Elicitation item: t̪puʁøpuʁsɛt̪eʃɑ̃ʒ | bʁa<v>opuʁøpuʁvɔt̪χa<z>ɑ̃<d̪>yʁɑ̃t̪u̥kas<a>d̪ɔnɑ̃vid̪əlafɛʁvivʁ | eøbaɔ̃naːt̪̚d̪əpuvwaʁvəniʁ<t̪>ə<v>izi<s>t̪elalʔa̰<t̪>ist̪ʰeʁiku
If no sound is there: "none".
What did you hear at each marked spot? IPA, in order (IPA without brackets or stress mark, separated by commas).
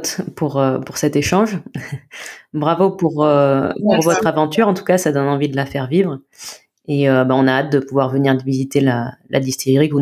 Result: v, v, t̪, a, d̪, v, none, d̪